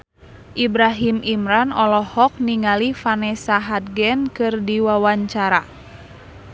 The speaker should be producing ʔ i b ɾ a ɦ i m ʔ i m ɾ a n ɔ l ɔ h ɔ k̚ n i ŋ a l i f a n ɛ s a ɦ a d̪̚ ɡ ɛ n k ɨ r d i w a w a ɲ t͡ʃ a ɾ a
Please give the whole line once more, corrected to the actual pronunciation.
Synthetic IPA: ʔ i b ɾ a ɦ i m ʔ i m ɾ a n ɔ l ɔ h ɔ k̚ n i ŋ a l i f a n ɛ s a ɦ a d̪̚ ɡ ɛ n k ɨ r d i w a w a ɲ t͡ʃ a ɾ a